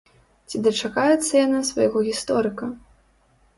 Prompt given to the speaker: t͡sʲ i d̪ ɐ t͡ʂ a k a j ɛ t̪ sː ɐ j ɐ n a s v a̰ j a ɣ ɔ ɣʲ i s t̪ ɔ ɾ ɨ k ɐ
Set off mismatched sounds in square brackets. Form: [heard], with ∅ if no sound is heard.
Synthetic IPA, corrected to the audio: t͡sʲ i d̪ ɐ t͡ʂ a k a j ɛ t̪ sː ɐ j [a] n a s v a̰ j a ɣ ɔ ɣʲ i s t̪ ɔ ɾ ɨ k ɐ